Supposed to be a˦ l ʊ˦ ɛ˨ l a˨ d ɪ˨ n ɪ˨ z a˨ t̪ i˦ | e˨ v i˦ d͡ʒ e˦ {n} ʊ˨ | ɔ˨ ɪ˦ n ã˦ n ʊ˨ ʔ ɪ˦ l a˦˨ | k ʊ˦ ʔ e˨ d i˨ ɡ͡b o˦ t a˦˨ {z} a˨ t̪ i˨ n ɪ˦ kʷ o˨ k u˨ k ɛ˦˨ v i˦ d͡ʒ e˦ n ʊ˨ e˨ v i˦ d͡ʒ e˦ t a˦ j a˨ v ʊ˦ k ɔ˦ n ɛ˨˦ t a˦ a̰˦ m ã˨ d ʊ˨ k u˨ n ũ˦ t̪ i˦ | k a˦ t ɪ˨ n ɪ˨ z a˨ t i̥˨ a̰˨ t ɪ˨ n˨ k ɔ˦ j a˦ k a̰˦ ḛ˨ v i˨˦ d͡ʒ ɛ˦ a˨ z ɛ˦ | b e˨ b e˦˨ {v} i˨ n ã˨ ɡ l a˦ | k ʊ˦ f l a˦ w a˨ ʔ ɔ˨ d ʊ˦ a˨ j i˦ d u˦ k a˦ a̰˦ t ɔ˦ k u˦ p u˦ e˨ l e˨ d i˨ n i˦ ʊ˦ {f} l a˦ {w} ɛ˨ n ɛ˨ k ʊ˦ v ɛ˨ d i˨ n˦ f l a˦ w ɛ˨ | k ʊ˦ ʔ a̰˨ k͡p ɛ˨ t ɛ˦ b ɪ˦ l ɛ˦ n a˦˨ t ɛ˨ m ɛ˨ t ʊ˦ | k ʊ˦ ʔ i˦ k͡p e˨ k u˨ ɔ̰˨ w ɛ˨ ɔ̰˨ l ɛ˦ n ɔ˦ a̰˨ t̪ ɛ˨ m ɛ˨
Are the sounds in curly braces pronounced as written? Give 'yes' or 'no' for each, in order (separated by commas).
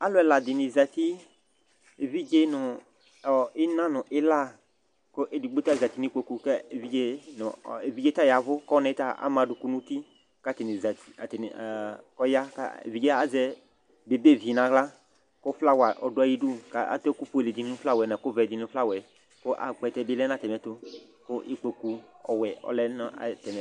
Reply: yes, yes, yes, yes, yes